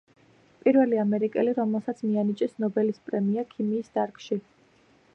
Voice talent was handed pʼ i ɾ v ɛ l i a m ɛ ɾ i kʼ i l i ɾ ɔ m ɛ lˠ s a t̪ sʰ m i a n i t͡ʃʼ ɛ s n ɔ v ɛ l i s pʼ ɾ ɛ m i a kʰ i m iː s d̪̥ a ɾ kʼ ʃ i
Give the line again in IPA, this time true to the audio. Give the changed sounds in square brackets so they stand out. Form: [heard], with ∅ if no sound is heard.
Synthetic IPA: pʼ i ɾ v ɛ l i a m ɛ ɾ i kʼ [ɛ] l i ɾ ɔ m ɛ lˠ s a t̪ sʰ m i a n i t͡ʃʼ ɛ s n ɔ [b] ɛ l i s pʼ ɾ ɛ m i a kʰ i m iː s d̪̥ a ɾ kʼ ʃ i